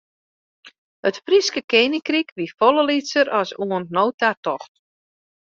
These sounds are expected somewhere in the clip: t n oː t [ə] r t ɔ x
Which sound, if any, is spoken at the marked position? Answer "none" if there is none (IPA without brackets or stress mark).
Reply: a